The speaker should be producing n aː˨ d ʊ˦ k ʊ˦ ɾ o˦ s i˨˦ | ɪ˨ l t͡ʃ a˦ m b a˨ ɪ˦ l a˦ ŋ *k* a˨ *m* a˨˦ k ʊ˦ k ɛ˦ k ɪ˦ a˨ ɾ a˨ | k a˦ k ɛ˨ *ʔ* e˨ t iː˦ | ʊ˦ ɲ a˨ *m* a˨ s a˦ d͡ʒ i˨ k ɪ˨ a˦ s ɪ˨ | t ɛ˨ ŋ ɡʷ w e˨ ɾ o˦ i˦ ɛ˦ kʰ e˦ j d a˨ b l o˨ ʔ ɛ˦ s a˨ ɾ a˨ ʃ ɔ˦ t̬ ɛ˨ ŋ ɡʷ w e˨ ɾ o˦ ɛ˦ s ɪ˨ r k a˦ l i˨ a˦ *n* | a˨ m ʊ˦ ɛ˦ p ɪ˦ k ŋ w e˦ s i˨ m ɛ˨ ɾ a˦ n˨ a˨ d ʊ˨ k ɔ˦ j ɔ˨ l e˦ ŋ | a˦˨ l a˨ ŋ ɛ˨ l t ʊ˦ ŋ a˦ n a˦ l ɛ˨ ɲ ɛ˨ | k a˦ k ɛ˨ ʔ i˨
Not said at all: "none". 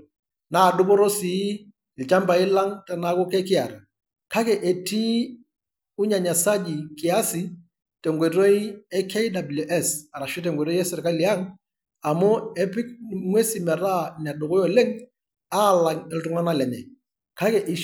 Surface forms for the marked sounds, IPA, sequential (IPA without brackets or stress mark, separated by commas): t, n, ʔ, ɲ, ŋ